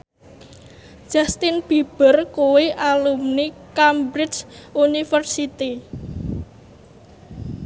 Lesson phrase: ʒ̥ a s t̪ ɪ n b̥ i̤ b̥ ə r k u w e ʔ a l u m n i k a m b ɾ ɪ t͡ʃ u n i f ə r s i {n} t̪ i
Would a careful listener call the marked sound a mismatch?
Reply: yes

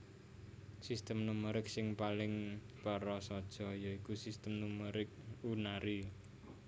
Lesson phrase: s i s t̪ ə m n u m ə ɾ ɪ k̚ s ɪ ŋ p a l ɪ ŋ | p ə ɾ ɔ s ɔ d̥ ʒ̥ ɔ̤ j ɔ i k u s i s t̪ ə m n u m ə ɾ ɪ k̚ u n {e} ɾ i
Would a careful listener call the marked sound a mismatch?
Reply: yes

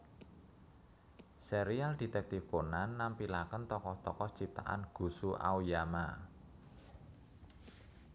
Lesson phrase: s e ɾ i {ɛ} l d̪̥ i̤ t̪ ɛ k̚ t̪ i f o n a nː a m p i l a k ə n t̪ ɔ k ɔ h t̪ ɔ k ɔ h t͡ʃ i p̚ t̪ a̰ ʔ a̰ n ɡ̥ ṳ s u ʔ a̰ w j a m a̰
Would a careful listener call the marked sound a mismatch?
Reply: yes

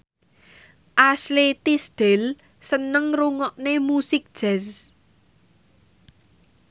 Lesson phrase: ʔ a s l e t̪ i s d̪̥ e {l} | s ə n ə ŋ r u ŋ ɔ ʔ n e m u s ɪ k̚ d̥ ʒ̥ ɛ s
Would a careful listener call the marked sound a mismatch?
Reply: no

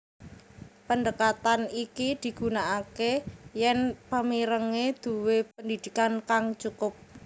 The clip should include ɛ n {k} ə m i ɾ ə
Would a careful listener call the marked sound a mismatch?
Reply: yes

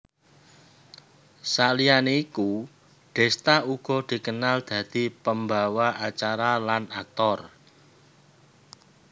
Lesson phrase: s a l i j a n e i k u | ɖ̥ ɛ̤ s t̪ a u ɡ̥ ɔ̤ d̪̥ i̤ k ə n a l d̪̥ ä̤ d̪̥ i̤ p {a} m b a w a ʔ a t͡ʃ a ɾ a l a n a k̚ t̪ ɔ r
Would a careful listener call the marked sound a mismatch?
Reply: yes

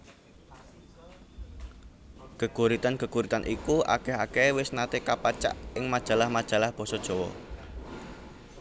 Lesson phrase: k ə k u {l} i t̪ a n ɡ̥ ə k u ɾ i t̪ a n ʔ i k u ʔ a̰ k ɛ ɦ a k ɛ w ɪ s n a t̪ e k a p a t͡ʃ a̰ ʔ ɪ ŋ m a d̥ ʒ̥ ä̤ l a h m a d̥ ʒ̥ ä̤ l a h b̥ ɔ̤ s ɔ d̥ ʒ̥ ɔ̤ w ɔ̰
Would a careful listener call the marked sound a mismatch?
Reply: yes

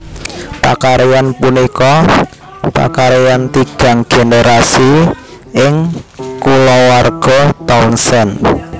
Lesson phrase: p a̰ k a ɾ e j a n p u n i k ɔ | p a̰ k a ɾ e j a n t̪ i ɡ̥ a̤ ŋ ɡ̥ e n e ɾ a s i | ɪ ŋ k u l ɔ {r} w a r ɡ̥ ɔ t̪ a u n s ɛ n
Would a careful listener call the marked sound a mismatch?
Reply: yes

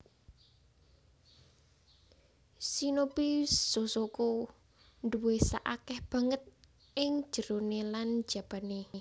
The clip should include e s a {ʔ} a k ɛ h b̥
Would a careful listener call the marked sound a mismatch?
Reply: no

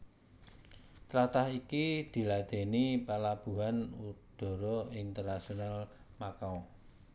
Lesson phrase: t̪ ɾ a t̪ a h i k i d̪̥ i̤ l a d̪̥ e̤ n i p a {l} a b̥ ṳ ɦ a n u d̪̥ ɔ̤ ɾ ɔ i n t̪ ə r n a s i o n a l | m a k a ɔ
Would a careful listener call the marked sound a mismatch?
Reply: no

